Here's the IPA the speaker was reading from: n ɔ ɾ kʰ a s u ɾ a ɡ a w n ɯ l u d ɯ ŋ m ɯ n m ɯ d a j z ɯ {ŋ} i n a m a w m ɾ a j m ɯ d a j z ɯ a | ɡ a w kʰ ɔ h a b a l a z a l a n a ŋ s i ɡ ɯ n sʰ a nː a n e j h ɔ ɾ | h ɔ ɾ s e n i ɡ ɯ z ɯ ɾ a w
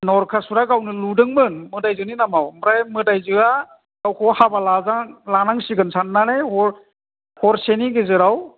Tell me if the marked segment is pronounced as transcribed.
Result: no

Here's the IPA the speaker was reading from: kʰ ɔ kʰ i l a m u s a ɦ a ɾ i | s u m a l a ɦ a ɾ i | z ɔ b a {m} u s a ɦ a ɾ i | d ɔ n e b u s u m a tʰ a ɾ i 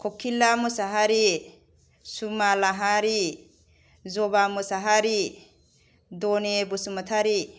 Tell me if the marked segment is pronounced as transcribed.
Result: yes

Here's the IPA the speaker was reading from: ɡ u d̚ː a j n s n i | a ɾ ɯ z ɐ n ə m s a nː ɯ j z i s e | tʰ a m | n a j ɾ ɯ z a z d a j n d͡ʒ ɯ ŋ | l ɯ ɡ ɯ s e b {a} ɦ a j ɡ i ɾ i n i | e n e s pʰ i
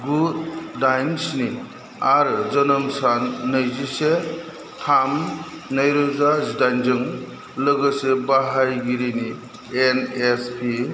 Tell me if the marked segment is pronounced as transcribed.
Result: yes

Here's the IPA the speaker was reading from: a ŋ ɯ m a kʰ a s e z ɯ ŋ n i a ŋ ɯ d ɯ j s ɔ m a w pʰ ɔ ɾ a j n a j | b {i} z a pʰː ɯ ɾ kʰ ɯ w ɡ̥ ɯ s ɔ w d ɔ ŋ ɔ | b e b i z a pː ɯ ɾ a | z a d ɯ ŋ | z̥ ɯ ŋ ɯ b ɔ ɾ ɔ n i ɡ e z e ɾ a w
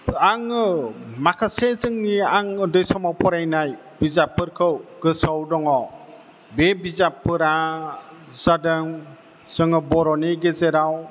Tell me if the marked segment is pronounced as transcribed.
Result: yes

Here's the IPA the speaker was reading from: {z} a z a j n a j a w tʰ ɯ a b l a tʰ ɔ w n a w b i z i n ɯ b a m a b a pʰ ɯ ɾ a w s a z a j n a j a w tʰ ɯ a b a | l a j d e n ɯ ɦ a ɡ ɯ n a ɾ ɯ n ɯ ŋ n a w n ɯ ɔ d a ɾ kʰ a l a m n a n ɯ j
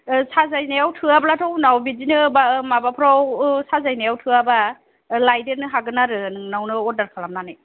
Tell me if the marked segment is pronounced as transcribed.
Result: no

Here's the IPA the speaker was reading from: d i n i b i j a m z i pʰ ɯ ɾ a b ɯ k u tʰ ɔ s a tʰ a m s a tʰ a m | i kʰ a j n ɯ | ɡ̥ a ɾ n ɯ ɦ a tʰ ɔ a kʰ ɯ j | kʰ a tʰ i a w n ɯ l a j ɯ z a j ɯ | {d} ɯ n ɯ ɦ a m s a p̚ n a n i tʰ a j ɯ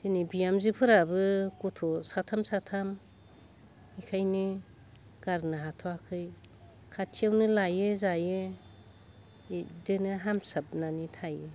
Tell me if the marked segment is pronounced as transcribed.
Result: yes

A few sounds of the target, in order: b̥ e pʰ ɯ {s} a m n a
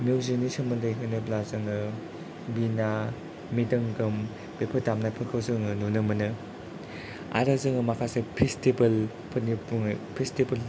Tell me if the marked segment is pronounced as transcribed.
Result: no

